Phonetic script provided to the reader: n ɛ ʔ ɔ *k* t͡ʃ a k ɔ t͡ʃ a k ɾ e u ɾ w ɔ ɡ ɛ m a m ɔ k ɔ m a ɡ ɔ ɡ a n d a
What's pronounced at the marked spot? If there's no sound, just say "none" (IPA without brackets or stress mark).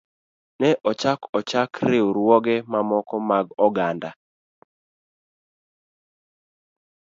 none